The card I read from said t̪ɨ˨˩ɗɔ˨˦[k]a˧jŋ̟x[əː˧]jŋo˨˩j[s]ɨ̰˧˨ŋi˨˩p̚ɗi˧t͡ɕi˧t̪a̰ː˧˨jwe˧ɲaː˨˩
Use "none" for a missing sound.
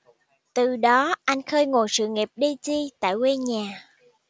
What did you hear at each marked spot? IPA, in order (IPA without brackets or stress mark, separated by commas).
ʔ, əː˧, s